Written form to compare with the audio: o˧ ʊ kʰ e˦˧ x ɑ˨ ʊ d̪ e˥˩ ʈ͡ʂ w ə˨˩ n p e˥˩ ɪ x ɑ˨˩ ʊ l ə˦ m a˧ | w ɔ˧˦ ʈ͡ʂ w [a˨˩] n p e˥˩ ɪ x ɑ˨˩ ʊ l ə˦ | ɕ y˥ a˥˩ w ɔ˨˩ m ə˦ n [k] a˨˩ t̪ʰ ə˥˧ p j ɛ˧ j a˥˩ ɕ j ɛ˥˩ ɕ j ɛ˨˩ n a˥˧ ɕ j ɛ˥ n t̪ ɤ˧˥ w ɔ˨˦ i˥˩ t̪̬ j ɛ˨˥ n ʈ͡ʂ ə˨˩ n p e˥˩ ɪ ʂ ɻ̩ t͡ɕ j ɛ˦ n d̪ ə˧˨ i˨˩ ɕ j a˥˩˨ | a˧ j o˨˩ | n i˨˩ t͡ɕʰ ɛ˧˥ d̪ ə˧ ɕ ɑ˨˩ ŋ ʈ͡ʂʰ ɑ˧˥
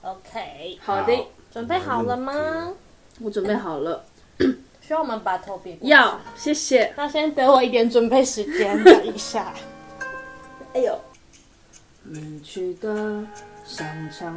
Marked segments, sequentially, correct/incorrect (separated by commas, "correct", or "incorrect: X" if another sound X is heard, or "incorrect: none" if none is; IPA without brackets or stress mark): incorrect: ə˨˩, incorrect: p